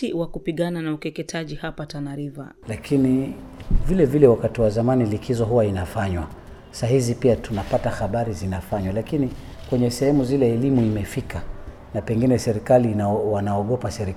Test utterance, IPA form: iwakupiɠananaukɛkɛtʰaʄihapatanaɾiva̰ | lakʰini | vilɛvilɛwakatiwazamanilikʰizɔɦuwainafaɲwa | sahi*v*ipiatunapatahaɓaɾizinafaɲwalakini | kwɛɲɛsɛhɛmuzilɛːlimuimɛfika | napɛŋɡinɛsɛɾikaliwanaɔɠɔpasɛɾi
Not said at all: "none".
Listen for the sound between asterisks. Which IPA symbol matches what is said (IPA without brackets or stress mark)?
z